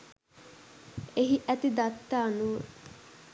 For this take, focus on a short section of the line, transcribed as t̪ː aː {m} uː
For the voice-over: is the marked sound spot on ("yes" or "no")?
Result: no